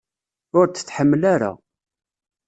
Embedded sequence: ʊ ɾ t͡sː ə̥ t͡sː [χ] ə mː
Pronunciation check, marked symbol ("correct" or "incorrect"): incorrect